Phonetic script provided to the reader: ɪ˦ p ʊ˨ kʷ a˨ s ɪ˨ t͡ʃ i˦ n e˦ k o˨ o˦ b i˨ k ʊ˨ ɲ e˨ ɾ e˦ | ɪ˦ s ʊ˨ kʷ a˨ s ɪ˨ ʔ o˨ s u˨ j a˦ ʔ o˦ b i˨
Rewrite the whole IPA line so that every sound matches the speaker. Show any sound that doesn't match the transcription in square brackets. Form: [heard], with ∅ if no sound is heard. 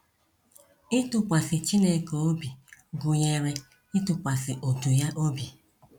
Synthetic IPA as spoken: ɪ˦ [t] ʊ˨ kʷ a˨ s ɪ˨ t͡ʃ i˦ n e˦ k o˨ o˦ b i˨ [ɡ] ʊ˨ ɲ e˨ ɾ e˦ | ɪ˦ [t] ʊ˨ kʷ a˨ s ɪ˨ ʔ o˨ [t] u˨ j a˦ ʔ o˦ b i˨